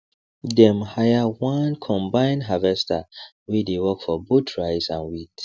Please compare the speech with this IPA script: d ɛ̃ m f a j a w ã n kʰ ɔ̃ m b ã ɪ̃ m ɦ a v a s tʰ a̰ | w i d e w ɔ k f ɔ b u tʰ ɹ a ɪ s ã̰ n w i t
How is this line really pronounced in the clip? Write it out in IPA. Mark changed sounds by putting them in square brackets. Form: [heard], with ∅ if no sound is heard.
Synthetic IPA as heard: d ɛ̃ m [h] a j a w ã n kʰ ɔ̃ m b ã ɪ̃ [n] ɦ a v [ɛ] s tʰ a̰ | w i d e w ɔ k f ɔ b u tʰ ɹ a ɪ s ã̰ n w i t